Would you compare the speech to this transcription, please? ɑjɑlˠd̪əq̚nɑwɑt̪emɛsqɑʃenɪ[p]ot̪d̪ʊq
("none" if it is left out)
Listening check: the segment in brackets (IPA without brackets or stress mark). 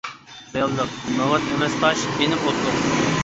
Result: p